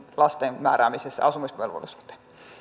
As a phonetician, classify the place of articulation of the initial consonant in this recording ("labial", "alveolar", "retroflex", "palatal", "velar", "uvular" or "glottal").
alveolar